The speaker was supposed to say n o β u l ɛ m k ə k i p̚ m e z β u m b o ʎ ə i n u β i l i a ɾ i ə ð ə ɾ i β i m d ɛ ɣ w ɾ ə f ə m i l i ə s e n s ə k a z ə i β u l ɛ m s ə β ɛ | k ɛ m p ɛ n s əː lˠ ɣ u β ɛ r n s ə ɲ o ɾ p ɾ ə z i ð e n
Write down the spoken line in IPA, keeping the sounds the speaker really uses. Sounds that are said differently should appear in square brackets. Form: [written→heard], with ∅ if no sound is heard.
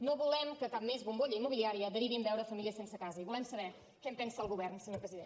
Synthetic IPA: n o β u l ɛ m k ə k [i→a] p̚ m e z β u m b o ʎ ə i [n→m] u β i l i a ɾ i ə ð ə ɾ i β i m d ɛ [ɣ→∅] w ɾ ə f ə m i l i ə s e n s ə k a z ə i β u l ɛ m s ə β ɛ | k ɛ m p ɛ n s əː lˠ ɣ u β ɛ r n s ə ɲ o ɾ p ɾ ə z i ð e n